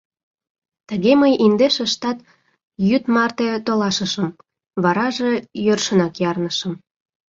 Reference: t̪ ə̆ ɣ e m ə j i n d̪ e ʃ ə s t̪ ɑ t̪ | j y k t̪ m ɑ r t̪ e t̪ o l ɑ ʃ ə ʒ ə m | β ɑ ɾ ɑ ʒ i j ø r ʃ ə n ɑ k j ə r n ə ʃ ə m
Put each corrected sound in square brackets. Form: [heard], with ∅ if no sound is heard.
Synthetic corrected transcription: t̪ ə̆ ɣ e m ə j i n d̪ e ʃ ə [ʃ] t̪ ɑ t̪ | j y [∅] t̪ m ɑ r t̪ e t̪ o l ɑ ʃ ə [ʃ] ə m | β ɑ ɾ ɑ ʒ [e] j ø r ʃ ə n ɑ k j [ɑ] r n ə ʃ ə m